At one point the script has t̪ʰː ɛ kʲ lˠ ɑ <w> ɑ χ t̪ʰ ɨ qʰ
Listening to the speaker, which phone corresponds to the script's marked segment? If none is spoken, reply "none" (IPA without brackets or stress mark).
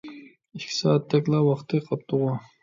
w